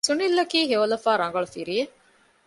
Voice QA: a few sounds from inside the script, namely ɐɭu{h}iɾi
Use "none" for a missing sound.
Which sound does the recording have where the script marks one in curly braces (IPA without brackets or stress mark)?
f